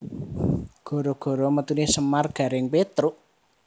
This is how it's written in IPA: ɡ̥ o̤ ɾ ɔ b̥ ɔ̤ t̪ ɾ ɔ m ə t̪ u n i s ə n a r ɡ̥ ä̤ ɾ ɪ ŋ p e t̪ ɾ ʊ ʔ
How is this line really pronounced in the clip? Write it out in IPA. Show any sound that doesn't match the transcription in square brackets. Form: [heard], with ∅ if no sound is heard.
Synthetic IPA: ɡ̥ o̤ ɾ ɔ [ɡ̥] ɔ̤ [∅] ɾ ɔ m ə t̪ u n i s ə [m] a r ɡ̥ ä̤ ɾ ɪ ŋ p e t̪ ɾ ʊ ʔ

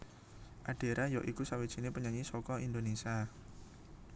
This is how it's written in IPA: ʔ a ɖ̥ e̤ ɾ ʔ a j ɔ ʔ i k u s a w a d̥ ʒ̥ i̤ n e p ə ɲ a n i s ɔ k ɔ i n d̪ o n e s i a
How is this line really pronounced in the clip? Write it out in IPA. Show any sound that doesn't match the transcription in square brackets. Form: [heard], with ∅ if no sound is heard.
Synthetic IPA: ʔ a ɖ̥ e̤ ɾ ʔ a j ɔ ʔ i k u s a w [i] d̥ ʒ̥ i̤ n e p ə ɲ a [ɲ] i s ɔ k ɔ i n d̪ o n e s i a

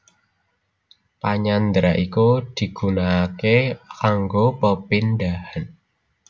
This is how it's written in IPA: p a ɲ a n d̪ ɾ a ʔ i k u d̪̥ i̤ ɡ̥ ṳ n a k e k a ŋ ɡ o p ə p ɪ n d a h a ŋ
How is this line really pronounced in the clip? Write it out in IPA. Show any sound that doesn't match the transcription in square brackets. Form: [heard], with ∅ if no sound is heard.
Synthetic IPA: p a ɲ a n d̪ ɾ a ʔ i k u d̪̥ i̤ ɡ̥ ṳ n a k e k a ŋ ɡ o p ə p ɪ n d a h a [n]

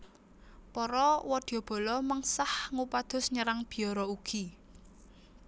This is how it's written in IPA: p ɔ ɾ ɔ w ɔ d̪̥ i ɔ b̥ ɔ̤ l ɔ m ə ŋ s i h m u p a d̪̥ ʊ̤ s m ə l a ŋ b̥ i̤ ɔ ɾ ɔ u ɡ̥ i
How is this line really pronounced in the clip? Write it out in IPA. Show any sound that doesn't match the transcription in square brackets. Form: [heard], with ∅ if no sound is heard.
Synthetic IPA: p ɔ ɾ ɔ w ɔ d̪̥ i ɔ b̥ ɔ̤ l ɔ m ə ŋ s [a] h [ŋ] u p a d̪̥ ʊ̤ s [ɲ] ə [ɾ] a ŋ b̥ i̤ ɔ ɾ ɔ u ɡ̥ i

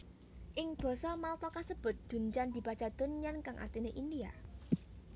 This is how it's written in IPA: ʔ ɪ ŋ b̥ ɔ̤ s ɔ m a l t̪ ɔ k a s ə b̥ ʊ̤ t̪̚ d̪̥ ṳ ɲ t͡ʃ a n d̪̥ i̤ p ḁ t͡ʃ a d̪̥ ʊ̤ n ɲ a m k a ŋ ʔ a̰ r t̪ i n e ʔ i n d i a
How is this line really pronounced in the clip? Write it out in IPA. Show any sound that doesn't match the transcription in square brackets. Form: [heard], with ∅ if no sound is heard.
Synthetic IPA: ʔ ɪ ŋ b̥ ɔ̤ s ɔ m a l t̪ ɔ k a s ə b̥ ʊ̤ t̪̚ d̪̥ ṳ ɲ t͡ʃ a n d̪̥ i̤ p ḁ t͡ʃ a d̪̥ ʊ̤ n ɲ a [n] k a ŋ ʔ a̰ r t̪ i n e ʔ i n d i a

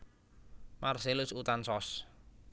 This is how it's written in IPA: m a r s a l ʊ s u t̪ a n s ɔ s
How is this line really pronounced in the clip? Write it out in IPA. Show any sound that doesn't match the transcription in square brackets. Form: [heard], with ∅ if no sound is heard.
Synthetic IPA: m a r s [e] l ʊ s u t̪ a n s ɔ s

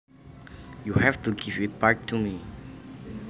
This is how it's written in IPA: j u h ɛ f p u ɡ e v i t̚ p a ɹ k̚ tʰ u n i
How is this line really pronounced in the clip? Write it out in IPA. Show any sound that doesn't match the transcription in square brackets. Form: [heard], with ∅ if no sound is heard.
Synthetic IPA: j u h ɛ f [t] u ɡ [i] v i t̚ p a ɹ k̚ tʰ u [m] i

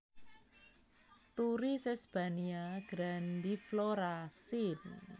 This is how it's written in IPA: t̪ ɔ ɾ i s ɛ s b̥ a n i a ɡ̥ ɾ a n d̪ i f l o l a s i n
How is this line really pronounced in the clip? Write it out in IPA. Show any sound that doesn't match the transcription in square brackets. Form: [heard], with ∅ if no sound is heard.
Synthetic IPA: t̪ [u] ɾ i s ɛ s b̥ a n i a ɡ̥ ɾ a n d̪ i f l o [ɾ] a s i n

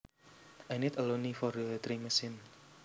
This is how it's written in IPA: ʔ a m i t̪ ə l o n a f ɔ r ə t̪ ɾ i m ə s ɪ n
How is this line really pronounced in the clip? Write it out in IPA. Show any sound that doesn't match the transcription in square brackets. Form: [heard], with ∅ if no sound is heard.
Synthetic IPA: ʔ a [n] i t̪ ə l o n [i] f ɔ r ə t̪ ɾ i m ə s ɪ n

